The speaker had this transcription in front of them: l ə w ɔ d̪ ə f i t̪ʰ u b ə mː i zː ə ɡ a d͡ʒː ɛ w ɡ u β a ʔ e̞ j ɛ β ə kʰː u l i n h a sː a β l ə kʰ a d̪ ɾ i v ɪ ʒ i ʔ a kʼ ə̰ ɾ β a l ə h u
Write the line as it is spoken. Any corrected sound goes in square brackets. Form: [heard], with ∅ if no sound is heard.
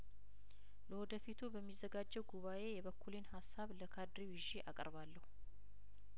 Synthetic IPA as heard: l ə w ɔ d̪ ə f i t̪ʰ u b ə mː i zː ə ɡ a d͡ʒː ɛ w ɡ u β a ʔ e̞ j ɛ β ə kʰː u l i n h a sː a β l ə kʰ a d̪ ɾ i [w] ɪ ʒ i ʔ a kʼ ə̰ ɾ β a [lː] ə h u